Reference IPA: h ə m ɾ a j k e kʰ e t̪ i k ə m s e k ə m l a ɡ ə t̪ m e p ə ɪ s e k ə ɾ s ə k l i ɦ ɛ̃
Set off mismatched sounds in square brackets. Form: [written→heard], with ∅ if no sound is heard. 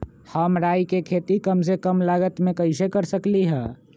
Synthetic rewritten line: h ə m ɾ a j k e kʰ e t̪ i k ə m s e k ə m l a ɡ ə t̪ m e [p→k] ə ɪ s e k ə ɾ s ə k l i ɦ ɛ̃